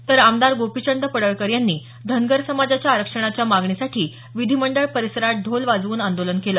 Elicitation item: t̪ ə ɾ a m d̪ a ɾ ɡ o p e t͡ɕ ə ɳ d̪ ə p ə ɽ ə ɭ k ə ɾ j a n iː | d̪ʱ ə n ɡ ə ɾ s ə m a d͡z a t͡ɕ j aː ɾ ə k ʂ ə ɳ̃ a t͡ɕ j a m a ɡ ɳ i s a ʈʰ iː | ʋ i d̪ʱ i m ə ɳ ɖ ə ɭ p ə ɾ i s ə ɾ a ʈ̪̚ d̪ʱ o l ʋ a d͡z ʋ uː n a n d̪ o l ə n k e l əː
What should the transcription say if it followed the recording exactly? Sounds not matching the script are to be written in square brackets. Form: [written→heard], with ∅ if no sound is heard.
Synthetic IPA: t̪ ə ɾ a m d̪ a ɾ ɡ o p [e→i] t͡ɕ ə ɳ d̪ ə p ə ɽ ə ɭ k ə ɾ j a [n→nː] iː | d̪ʱ ə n ɡ ə ɾ s ə m a d͡z a t͡ɕ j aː ɾ ə k ʂ ə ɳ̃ a t͡ɕ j a m a ɡ ɳ i s a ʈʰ iː | ʋ i d̪ʱ i m ə ɳ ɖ ə ɭ p ə ɾ i s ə ɾ a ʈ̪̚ d̪ʱ o l ʋ a d͡z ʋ uː n a n d̪ o l ə n k e l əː

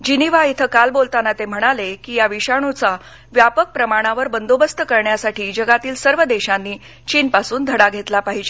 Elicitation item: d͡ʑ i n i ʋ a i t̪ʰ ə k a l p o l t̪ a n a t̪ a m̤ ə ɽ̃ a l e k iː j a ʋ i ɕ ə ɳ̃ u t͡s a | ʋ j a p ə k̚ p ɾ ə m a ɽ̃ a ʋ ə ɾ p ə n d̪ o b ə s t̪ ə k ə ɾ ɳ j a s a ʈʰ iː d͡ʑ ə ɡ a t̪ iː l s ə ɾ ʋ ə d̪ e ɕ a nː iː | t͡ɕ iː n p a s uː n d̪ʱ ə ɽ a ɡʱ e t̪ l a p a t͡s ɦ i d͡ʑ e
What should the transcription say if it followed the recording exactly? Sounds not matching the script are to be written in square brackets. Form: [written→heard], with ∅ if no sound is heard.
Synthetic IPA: d͡ʑ i n i ʋ a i t̪ʰ ə k a l [p→b] o l t̪ a n a t̪ [a→e] m̤ ə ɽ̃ a l e k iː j a ʋ i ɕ [ə→a] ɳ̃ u t͡s a | ʋ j a p ə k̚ p ɾ ə m a ɽ̃ a ʋ ə ɾ [p→b] ə n d̪ o b ə s t̪ ə k ə ɾ ɳ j a s a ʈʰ iː d͡ʑ ə ɡ a t̪ iː l s ə ɾ ʋ ə d̪ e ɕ a nː iː | t͡ɕ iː n p a s uː n d̪ʱ ə ɽ a ɡʱ e t̪ l a p a [t͡s→∅] ɦ i d͡ʑ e

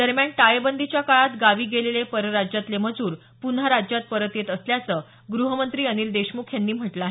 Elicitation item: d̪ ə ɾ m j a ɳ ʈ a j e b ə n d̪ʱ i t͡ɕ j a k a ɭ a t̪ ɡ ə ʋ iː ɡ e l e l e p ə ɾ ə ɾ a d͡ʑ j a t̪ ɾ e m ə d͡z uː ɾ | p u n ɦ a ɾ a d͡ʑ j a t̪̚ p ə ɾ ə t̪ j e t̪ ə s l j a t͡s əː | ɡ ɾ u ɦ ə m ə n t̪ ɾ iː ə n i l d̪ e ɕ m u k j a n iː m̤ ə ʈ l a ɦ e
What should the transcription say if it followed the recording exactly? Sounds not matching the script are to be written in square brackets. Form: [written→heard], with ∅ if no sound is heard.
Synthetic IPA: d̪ ə ɾ m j a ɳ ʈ a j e b ə n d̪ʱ i t͡ɕ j a k a ɭ a t̪ ɡ [ə→a] ʋ iː ɡ e l e l e p ə ɾ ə ɾ a d͡ʑ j a t̪ [ɾ→l] e m ə d͡z uː ɾ | p u n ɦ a ɾ a d͡ʑ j a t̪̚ p ə ɾ ə t̪ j e t̪ ə s l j a t͡s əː | ɡ ɾ u ɦ ə m ə n t̪ ɾ iː ə n i l d̪ e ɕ m u [k→kʰ] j a [n→nː] iː m̤ ə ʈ l a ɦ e

